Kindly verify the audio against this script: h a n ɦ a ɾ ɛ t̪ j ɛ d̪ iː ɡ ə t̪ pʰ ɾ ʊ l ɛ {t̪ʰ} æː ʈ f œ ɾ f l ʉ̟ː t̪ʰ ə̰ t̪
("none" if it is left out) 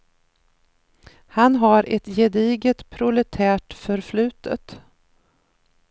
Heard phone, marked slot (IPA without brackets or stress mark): t̪ʰ